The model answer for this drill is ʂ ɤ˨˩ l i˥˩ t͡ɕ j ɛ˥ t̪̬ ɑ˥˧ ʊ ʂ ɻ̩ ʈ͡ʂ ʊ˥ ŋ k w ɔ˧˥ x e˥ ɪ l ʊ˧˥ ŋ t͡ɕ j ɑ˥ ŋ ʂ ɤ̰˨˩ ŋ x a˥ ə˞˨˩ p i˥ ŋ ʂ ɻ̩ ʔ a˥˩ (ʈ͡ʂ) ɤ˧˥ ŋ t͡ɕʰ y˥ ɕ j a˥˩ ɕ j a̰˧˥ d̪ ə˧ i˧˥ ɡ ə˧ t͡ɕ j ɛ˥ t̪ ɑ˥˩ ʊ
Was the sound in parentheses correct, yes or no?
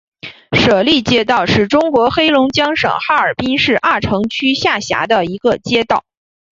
no